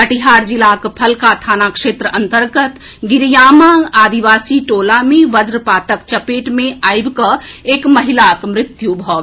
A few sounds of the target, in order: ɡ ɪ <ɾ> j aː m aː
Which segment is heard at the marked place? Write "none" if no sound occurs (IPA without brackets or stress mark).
ɾ